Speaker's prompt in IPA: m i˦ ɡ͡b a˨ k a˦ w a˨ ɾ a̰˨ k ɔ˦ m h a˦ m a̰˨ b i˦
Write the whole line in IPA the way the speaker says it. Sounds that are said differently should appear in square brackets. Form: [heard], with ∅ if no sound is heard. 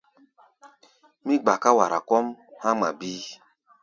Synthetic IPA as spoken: m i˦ ɡ͡b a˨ k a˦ w a˨ ɾ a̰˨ k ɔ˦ m h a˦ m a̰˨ b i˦